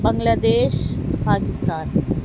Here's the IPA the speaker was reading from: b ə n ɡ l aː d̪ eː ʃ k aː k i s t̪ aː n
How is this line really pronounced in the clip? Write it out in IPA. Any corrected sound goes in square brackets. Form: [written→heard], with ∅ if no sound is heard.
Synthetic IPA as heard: b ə [n→ŋ] ɡ l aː d̪ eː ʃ [k→p] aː k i s t̪ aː n